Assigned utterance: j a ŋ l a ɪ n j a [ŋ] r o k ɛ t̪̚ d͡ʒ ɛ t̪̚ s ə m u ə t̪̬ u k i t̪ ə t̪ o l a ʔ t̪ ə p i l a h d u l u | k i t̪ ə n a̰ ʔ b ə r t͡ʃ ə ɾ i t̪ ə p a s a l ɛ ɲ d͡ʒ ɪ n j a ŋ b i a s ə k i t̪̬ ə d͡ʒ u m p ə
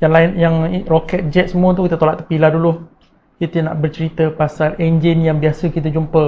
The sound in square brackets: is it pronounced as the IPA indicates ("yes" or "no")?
yes